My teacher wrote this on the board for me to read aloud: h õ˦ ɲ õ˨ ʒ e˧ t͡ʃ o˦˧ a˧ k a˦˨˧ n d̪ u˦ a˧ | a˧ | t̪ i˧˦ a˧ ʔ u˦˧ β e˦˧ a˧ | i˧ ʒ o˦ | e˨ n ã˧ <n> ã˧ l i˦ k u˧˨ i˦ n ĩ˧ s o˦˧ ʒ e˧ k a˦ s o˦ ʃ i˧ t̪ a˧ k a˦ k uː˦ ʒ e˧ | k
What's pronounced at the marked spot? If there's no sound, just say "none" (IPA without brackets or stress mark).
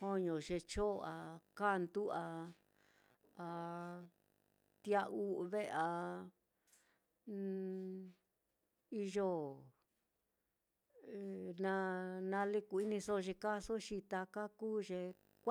n